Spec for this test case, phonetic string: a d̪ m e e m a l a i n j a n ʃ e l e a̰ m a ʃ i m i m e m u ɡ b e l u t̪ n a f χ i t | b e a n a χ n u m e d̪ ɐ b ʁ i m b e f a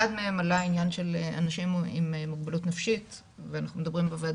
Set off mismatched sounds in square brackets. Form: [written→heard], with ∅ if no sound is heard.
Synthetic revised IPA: a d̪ m e e m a l a i n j a n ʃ e l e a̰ [m→n] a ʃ i m i m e m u ɡ b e l u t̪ n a f [χ→ʃ] i t | [b→v] e a n a χ n u m e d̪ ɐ b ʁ i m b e [f→v] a